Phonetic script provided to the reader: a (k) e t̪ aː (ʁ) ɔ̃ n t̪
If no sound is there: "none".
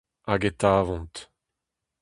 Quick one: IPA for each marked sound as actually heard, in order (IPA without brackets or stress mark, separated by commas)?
ɡ, v